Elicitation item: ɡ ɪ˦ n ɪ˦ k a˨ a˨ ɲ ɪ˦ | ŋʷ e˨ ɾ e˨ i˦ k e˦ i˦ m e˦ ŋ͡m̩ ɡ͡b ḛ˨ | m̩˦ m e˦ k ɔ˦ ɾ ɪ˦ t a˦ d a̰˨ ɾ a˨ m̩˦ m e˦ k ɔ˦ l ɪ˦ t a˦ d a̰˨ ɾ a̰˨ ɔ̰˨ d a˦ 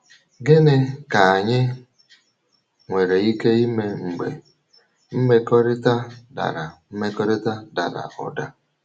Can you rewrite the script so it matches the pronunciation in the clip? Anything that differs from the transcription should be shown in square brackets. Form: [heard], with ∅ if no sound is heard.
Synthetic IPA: ɡ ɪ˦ n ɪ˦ k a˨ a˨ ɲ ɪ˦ | ŋʷ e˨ ɾ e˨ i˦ k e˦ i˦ m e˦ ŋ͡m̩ ɡ͡b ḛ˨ | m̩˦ m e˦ k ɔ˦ ɾ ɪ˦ t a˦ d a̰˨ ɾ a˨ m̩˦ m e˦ k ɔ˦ [ɾ] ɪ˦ t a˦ d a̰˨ ɾ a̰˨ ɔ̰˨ d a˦